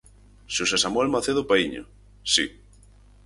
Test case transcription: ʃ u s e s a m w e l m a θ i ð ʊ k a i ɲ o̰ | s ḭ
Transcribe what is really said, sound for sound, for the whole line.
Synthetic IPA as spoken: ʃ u s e s a m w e l m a θ e ð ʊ p a i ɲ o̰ | s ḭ

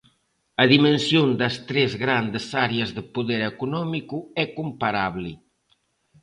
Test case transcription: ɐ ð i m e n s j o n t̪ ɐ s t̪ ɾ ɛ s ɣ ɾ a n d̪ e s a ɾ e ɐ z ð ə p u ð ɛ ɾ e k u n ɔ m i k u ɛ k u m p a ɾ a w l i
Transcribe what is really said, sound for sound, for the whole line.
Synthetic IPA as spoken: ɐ ð i m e n s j o n d̪ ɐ s t̪ ɾ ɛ z ɣ ɾ a n d̪ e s a ɾ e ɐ z ð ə p u ð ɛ ɾ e k u n ɔ m i k u ɛ k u m p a ɾ a β l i

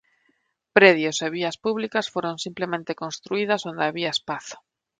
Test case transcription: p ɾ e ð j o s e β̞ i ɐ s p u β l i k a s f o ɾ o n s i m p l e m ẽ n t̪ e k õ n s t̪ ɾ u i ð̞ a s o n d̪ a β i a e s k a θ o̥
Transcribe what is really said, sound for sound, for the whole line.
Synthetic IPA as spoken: p ɾ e ð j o s e β̞ i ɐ s p u β l i k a s f o ɾ o n s i m p l e m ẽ n t̪ e k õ n s t̪ ɾ u i ð̞ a s o n d̪ a β i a e s p a θ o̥

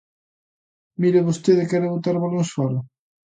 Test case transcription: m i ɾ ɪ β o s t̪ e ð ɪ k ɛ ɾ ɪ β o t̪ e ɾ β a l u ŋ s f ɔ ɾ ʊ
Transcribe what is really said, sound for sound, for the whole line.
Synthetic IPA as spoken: m i ɾ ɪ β o s t̪ e ð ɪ k ɛ ɾ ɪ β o t̪ a ɾ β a l o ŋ s f ɔ ɾ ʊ

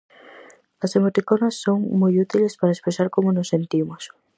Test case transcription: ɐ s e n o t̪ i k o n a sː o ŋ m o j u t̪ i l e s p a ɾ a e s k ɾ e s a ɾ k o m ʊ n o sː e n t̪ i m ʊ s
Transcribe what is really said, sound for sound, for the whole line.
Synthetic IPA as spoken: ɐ s e m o t̪ i k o n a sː o ŋ m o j u t̪ i l e s p a ɾ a e s p ɾ e s a ɾ k o m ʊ n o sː e n t̪ i m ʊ s

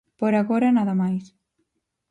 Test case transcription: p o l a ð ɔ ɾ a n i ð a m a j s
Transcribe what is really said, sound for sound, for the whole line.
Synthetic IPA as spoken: p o ɾ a ɣ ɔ ɾ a n a ð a m a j s

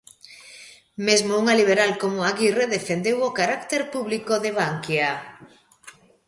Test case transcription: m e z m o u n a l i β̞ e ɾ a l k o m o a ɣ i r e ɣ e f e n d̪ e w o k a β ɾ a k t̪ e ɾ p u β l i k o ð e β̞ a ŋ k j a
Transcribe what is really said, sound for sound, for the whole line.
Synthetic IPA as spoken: m e z m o u ŋ a l i β̞ e ɾ a l k o m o a ɣ i r e ð e f e n d̪ e w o k a ɾ a k t̪ e ɾ p u β l i k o ð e β̞ a ŋ k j a

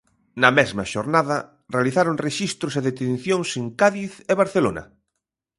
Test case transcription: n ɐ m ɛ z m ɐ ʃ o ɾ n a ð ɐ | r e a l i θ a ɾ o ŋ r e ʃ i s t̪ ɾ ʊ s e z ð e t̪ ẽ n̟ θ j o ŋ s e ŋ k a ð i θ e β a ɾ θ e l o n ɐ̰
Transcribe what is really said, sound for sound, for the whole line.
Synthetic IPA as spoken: n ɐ m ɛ z m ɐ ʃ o ɾ n a ð ɐ | r e a l i θ a ɾ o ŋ r e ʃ i s t̪ ɾ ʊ s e ð e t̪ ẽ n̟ θ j o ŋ s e ŋ k a ð i θ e β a ɾ θ e l o n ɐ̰

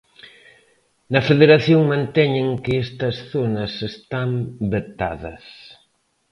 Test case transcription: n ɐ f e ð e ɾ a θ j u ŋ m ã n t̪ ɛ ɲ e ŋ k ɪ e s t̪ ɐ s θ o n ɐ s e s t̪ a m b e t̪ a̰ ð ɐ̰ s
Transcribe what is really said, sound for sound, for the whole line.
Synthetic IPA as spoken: n ɐ f e ð e ɾ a θ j o ŋ m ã n t̪ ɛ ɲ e ŋ k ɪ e s t̪ ɐ s θ o n ɐ s e s t̪ a m b e t̪ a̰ ð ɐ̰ s

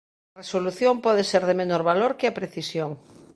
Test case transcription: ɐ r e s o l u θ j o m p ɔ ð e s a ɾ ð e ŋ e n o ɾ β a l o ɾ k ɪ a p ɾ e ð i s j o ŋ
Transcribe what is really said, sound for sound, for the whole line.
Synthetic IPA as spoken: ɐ r e s o l u θ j o m p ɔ ð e s e ɾ ð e m e n o ɾ β a l o ɾ k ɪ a p ɾ e θ i s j o ŋ

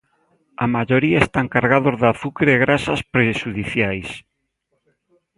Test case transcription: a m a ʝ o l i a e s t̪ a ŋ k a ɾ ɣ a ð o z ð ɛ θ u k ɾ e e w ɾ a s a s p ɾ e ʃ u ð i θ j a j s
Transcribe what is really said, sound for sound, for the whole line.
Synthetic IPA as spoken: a m a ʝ o ɾ i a e s t̪ a ŋ k a ɾ ɣ a ð o z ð a θ u k ɾ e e ɣ ɾ a s a s p ɾ e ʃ u ð i θ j a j s

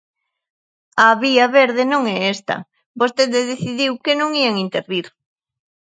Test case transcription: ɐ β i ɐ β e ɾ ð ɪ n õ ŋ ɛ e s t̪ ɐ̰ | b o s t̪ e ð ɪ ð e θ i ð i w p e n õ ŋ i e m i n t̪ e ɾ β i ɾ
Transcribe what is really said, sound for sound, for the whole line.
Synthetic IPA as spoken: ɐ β i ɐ β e ɾ ð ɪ n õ ŋ ɛ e s t̪ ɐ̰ | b o s t̪ e ð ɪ ð e θ i ð i w k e n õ ŋ i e ŋ i n t̪ e ɾ β i ɾ

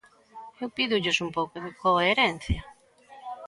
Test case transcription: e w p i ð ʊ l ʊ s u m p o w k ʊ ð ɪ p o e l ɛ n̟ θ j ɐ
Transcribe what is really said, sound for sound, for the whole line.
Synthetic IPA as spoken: e w p i ð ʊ ʎ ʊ s u m p o w k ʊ ð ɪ k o e ɾ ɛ n̟ θ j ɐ

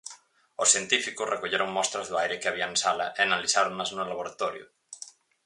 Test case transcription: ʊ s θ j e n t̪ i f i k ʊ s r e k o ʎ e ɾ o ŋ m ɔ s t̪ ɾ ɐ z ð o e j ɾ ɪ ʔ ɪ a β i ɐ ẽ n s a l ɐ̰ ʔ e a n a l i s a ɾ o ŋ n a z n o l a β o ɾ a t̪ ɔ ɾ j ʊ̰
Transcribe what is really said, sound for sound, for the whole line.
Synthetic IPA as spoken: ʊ s θ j e n t̪ i f i k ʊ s r e k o ʎ e ɾ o ŋ m ɔ s t̪ ɾ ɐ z ð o a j ɾ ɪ k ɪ a β i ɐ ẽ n s a l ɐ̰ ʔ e a n a l i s a ɾ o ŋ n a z n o l a β o ɾ a t̪ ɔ ɾ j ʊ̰

